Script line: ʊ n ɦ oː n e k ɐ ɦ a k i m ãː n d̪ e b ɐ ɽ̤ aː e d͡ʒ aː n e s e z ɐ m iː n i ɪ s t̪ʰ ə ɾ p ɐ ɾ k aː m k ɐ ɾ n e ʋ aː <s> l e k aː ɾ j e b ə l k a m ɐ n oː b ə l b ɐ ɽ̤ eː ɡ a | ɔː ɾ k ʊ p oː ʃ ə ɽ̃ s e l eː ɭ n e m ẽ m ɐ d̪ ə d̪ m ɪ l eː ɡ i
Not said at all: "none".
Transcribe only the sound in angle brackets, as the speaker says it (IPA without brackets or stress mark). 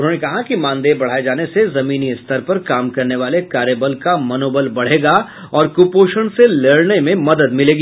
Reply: none